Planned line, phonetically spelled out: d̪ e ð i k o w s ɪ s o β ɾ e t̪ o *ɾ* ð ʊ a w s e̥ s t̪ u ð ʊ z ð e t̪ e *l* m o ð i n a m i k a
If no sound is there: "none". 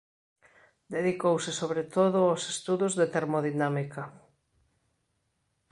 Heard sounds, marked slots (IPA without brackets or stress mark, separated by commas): none, ɾ